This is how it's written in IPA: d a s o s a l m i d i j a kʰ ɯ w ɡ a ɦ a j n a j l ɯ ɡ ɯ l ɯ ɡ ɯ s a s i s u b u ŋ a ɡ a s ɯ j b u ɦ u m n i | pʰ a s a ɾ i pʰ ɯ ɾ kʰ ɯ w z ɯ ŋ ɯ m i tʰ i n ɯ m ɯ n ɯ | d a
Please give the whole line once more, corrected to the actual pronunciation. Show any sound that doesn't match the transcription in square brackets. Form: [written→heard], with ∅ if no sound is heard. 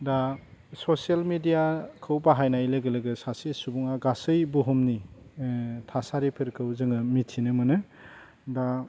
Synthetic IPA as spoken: d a s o s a l m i d i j a kʰ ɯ w [ɡ→b] a ɦ a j n a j l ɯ ɡ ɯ l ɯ ɡ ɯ s a s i s u b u ŋ a ɡ a s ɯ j b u ɦ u m n i | [pʰ→tʰ] a s a ɾ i pʰ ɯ ɾ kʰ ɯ w z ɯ ŋ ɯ m i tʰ i n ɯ m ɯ n ɯ | d a

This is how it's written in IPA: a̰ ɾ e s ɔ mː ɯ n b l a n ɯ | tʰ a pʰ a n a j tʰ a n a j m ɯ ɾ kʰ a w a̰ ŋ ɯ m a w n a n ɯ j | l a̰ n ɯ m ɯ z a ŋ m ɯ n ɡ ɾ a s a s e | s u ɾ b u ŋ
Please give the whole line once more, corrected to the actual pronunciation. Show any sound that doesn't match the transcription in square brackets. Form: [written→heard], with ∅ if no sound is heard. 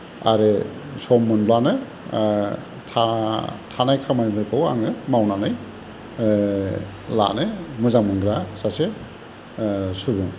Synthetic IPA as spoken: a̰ ɾ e s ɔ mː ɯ n b l a n ɯ | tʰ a [pʰ→tʰ] a n a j [tʰ→kʰ] a [n→m] a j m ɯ ɾ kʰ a w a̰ ŋ ɯ m a w n a n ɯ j | l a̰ n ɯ m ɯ z a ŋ m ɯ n ɡ ɾ a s a s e | s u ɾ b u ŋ

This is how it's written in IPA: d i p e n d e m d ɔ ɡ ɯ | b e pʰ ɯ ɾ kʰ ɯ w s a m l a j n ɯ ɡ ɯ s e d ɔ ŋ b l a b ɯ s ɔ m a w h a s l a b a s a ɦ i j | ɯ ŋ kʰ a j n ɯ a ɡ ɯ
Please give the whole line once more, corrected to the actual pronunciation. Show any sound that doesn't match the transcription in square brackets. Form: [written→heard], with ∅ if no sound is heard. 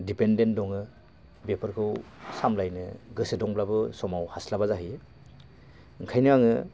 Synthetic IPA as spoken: d i p e n d e [m→n] d ɔ [ɡ→ŋ] ɯ | b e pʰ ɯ ɾ kʰ ɯ w s a m l a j n ɯ ɡ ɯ s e d ɔ ŋ b l a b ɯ s ɔ m a w h a s l a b a [s→z] a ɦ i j | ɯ ŋ kʰ a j n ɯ a [ɡ→ŋ] ɯ

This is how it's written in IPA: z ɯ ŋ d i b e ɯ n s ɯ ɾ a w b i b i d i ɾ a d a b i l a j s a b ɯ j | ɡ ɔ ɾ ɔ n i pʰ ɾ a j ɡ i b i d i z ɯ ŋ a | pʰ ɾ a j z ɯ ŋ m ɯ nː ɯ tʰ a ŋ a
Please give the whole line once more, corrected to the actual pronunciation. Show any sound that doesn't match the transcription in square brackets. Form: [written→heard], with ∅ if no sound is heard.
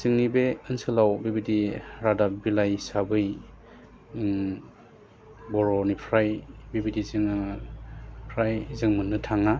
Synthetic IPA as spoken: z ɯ ŋ [d→n] i b e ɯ n s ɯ [ɾ→l] a w b i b i d i ɾ a d a b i l a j s a b ɯ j | [ɡ→b] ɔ ɾ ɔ n i pʰ ɾ a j [ɡ→b] i b i d i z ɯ ŋ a | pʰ ɾ a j z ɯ ŋ m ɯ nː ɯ tʰ a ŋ a

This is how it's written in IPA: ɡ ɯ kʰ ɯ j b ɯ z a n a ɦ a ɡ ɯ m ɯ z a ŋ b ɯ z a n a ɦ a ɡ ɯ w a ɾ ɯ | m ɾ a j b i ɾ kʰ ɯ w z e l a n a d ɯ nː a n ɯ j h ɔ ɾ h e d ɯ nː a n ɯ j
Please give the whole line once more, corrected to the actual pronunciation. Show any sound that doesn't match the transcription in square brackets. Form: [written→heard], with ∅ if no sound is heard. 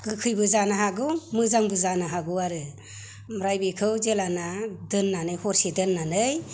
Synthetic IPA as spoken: ɡ ɯ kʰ ɯ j b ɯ z a n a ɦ a ɡ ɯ m ɯ z a ŋ b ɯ z a n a ɦ a ɡ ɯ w a ɾ ɯ | m ɾ a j b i [ɾ→∅] kʰ ɯ w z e l a n a d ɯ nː a n ɯ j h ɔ ɾ [h→s] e d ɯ nː a n ɯ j

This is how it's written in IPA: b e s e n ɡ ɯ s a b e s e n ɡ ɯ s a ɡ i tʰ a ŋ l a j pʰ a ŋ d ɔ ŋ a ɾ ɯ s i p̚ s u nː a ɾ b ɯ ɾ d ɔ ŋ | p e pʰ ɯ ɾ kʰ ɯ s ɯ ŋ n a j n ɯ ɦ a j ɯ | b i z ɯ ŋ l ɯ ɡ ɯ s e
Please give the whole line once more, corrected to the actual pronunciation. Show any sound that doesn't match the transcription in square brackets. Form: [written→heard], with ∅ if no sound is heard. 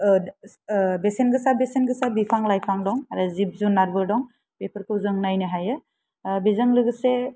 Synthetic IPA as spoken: b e s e n ɡ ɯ s a b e s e n ɡ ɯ s a [ɡ→b] i [tʰ→pʰ] a ŋ l a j pʰ a ŋ d ɔ ŋ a ɾ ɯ [s→z] i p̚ [s→z] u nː a ɾ b ɯ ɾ d ɔ ŋ | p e pʰ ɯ ɾ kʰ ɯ [s→z] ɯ ŋ n a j n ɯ ɦ a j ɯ | b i z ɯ ŋ l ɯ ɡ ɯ s e

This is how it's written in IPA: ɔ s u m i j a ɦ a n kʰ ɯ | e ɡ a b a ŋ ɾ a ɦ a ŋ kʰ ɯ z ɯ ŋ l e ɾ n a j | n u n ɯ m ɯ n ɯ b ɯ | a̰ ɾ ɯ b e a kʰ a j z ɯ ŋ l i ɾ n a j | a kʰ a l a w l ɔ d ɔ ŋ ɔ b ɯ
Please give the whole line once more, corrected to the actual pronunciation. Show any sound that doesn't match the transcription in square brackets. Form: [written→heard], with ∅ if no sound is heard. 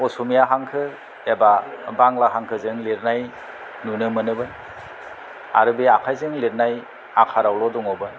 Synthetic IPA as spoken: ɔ s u m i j a ɦ a [n→ŋ] kʰ ɯ | e [ɡ→b] a b a ŋ [ɾ→l] a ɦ a ŋ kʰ ɯ z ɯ ŋ l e ɾ n a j | n u n ɯ m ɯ n ɯ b ɯ | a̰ ɾ ɯ b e a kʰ a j z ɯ ŋ l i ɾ n a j | a kʰ a [l→ɾ] a w l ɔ d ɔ ŋ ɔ b ɯ

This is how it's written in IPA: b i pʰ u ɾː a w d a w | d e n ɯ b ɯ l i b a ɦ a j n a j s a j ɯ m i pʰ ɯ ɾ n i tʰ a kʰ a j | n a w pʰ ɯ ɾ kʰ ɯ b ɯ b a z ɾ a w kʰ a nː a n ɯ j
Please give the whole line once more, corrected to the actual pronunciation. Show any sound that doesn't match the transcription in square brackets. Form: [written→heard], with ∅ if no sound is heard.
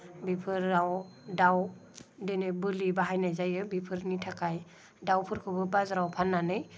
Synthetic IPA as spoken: b i pʰ [u→ɯ] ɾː a w d a w | d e n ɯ b ɯ l i b a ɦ a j n a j [s→z] a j ɯ [m→b] i pʰ ɯ ɾ n i tʰ a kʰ a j | [n→d] a w pʰ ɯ ɾ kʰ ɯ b ɯ b a z ɾ a w [kʰ→pʰ] a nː a n ɯ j

